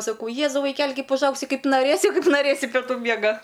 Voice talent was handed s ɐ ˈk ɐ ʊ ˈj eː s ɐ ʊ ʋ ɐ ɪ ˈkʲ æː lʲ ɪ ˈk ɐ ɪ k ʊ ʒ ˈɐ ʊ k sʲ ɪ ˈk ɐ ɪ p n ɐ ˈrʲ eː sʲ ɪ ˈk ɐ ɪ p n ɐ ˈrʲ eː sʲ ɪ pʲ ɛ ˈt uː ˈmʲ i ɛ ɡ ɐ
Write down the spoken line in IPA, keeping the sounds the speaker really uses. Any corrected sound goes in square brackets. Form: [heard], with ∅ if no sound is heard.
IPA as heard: s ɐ ˈk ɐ ʊ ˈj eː [z] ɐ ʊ ʋ ɐ ɪ ˈkʲ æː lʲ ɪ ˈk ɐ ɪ [p] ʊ ʒ ˈɐ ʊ k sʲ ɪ ˈk ɐ ɪ p n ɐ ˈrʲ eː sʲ ɪ ˈk ɐ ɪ p n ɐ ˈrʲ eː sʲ ɪ pʲ ɛ ˈt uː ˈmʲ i ɛ ɡ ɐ